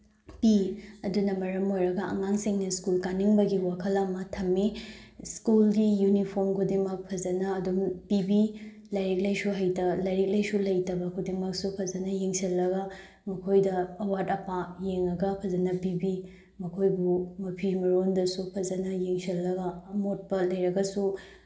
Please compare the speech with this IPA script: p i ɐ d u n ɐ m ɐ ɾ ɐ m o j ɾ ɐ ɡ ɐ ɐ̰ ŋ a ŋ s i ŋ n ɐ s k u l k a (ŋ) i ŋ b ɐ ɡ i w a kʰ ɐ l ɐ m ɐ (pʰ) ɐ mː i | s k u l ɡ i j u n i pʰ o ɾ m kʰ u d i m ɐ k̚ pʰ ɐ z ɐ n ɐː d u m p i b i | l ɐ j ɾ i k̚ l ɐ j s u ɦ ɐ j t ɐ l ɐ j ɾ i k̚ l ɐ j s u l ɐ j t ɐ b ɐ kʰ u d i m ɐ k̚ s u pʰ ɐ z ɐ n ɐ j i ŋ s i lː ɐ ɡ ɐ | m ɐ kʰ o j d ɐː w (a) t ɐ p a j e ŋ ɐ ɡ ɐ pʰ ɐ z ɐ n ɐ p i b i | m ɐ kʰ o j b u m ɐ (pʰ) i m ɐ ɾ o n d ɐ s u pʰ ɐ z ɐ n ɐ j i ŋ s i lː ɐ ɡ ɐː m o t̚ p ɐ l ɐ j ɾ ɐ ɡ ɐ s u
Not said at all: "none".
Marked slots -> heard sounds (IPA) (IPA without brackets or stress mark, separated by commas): n, tʰ, a, pʰ